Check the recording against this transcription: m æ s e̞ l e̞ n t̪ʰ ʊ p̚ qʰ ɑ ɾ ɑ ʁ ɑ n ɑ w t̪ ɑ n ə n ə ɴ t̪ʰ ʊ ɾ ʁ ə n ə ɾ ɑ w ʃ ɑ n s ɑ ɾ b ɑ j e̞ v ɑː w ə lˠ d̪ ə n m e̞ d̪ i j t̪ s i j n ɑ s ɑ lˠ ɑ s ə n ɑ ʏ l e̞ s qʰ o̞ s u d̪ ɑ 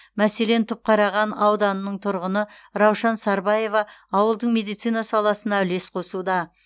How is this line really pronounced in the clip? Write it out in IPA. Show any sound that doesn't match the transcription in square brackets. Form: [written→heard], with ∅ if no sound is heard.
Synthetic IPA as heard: m æ s e̞ l e̞ n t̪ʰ ʊ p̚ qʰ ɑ ɾ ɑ ʁ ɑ n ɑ w [t̪→d̪] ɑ n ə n ə ɴ t̪ʰ ʊ ɾ ʁ ə n ə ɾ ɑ w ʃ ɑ n s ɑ ɾ b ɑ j e̞ v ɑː w ə lˠ d̪ ə [n→ɴ] m e̞ d̪ i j t̪ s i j n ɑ s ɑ lˠ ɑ s ə n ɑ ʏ l e̞ s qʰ o̞ s u d̪ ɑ